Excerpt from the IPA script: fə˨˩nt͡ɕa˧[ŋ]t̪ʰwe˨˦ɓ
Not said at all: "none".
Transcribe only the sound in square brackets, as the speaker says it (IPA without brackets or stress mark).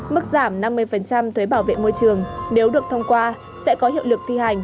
m